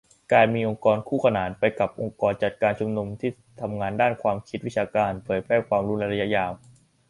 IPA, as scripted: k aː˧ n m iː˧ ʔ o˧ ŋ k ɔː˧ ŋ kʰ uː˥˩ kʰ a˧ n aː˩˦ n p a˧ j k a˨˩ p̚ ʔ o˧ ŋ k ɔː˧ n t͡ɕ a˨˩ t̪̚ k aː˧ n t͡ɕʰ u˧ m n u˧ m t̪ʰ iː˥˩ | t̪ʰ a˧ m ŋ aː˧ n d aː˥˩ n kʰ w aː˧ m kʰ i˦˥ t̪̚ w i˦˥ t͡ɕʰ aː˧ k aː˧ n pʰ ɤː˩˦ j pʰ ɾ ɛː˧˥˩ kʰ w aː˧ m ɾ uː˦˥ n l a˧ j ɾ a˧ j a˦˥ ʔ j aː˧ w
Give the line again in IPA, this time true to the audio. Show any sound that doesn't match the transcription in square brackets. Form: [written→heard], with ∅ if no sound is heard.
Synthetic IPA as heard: k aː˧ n m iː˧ ʔ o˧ ŋ k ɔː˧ [ŋ→n] kʰ uː˥˩ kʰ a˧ n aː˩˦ n p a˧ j k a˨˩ p̚ ʔ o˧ ŋ k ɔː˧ n t͡ɕ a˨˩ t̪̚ k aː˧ n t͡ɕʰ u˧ m n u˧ m t̪ʰ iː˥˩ | t̪ʰ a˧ m ŋ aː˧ n d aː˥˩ n kʰ w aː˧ m kʰ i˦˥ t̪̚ w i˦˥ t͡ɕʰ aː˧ k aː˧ n pʰ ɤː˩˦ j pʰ ɾ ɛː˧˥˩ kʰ w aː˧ m ɾ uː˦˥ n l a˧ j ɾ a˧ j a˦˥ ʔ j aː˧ w